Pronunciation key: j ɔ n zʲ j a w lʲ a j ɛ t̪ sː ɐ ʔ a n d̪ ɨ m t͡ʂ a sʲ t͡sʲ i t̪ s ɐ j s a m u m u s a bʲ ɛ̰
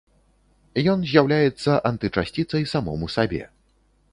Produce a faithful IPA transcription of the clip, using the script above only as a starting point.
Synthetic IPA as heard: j ɔ n zʲ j a w lʲ a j ɛ t̪ sː ɐ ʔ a n t̪ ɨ t͡ʂ a sʲ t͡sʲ i t̪ s ɐ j s a m ɔ m u s a bʲ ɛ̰